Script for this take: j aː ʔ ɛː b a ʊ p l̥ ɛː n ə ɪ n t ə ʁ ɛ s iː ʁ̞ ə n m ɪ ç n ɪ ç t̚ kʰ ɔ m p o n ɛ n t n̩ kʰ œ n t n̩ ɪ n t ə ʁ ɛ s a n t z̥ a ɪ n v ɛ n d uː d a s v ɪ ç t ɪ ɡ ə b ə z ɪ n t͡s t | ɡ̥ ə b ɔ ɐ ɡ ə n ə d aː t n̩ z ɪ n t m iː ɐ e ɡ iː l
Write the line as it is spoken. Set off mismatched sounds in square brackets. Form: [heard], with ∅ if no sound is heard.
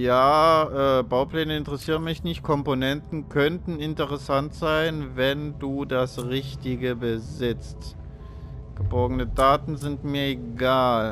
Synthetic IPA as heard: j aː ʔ ɛː b a ʊ p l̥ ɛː n ə ɪ n t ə ʁ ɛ s iː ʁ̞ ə n m ɪ ç n ɪ ç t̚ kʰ ɔ m p o n ɛ n t n̩ kʰ œ n t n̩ ɪ n t ə ʁ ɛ s a n t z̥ a ɪ n v ɛ n d uː d a s [ʁ] ɪ ç t ɪ ɡ ə b ə z ɪ [∅] t͡s t | ɡ̥ ə b ɔ ɐ ɡ ə n ə d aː t n̩ z ɪ n t m iː ɐ e ɡ [aː] l